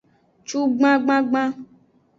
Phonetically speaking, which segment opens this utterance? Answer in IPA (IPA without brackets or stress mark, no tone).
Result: t͡ʃ